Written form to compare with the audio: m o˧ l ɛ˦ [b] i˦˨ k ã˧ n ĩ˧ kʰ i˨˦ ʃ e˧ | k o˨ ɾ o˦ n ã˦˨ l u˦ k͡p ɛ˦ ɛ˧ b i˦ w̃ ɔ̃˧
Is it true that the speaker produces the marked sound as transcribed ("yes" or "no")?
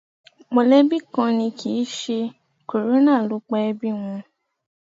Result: yes